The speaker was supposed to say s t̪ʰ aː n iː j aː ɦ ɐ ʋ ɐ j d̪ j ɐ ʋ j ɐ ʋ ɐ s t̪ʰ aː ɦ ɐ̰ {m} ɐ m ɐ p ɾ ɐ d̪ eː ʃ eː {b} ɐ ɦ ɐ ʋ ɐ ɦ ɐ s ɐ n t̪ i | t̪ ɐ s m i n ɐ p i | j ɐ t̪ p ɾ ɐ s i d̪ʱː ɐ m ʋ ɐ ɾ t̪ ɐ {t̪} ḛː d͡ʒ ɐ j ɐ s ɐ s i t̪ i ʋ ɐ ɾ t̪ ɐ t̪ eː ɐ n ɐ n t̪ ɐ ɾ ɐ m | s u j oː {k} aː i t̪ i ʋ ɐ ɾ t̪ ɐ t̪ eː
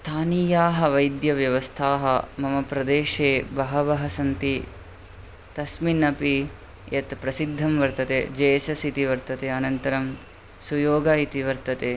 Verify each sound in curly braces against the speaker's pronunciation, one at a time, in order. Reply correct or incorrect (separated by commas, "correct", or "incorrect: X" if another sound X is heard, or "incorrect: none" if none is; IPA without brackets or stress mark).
correct, correct, correct, incorrect: ɡ